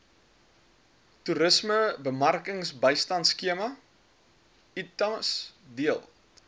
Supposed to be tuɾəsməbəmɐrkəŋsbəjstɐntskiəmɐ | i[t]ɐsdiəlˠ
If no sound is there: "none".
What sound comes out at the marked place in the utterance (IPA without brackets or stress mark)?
t